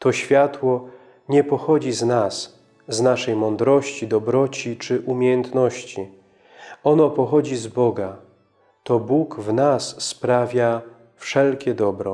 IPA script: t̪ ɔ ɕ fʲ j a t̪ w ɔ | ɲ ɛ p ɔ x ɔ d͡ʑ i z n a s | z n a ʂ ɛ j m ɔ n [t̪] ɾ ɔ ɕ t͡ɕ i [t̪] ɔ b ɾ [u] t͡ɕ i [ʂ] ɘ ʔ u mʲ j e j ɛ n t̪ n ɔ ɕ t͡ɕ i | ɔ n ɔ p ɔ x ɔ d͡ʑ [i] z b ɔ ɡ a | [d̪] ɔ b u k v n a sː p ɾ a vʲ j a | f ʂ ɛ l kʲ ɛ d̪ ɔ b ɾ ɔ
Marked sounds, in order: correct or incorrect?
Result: incorrect, incorrect, incorrect, incorrect, correct, incorrect

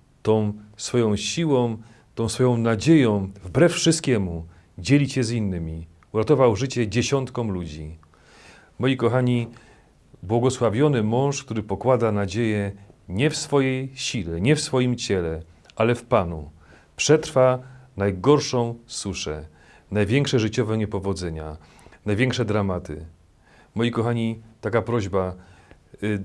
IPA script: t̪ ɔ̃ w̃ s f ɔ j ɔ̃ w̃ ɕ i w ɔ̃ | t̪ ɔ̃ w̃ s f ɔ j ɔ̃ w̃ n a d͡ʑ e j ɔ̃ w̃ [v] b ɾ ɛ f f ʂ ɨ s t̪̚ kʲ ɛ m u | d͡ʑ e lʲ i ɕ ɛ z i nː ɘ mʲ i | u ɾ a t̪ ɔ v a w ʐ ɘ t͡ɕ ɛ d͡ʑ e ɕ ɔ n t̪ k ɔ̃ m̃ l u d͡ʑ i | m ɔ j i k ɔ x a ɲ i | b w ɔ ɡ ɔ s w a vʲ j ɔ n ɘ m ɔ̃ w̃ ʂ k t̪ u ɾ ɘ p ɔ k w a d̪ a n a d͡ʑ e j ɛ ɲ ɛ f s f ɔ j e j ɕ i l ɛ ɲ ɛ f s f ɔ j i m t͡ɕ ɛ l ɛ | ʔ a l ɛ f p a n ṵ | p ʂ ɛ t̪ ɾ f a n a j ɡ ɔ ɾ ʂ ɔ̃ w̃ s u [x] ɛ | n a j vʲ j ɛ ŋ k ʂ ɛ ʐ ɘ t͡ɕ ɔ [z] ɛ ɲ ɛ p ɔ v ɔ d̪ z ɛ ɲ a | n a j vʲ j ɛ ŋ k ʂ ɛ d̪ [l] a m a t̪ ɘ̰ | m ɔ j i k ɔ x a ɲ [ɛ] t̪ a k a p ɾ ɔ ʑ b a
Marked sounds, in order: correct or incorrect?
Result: correct, incorrect, incorrect, incorrect, incorrect

